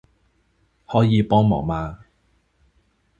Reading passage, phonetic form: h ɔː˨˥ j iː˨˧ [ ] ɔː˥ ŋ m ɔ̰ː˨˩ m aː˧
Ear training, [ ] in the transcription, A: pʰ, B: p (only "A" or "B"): B